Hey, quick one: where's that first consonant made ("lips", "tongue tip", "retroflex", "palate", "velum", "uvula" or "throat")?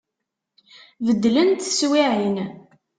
lips